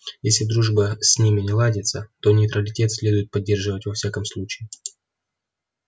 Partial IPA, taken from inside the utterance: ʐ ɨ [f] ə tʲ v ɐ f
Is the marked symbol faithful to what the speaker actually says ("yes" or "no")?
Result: no